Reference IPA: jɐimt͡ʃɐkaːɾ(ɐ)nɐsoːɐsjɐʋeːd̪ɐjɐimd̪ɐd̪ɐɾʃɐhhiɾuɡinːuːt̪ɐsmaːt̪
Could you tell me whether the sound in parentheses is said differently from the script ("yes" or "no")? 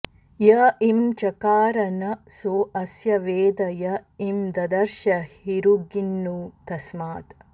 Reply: no